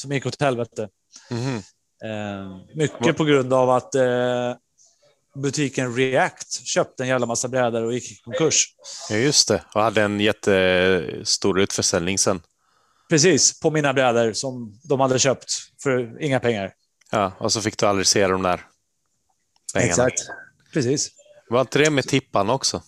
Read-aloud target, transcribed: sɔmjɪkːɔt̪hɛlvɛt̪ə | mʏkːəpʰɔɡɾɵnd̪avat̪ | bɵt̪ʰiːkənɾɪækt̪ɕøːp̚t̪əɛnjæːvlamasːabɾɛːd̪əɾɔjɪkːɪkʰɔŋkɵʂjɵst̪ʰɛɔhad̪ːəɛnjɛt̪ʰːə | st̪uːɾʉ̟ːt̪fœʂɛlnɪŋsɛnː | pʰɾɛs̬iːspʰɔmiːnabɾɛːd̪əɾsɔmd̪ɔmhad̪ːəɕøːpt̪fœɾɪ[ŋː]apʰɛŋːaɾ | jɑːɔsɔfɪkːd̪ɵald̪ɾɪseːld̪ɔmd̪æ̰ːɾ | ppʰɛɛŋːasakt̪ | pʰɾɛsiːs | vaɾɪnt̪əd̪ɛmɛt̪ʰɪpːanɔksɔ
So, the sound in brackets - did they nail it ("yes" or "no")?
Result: yes